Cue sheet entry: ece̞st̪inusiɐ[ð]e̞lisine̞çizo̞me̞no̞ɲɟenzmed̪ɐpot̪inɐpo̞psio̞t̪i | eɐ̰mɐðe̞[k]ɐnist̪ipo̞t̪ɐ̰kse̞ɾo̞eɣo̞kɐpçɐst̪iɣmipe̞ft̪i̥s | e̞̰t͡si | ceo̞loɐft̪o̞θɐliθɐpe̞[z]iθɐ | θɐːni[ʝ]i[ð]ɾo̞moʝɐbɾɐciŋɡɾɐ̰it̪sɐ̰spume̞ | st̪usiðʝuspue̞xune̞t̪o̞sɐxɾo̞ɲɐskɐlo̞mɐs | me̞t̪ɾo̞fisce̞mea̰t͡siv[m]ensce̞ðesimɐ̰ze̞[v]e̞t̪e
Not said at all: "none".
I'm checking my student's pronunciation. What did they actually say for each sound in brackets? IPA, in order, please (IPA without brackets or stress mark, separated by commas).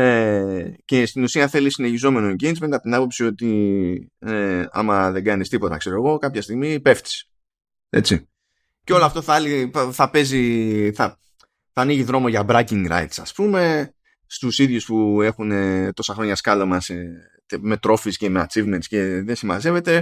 θ, ɡ, z, ʝ, ð, m, v